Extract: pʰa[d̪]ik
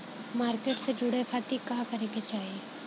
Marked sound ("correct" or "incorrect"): incorrect